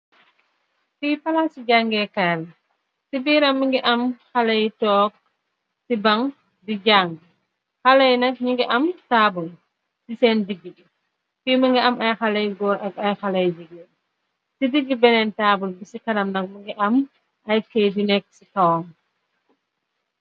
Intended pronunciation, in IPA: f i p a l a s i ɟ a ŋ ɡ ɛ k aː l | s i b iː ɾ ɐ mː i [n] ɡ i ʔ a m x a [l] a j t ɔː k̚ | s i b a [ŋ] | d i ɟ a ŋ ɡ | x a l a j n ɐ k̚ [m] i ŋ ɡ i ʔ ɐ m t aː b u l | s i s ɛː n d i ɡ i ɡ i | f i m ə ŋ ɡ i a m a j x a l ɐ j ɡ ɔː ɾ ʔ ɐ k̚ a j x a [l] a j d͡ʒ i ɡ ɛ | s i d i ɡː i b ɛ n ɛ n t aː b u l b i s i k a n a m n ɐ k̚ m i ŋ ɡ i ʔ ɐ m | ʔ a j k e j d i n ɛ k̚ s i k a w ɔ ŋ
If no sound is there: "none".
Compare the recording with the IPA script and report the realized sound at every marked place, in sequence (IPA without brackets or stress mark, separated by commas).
ŋ, l, ŋ, ɲ, l